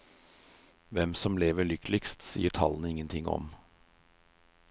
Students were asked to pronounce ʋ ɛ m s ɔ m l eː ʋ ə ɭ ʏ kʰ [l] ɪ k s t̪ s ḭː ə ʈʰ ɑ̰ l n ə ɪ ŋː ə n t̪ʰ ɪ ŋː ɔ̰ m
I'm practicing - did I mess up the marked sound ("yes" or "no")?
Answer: no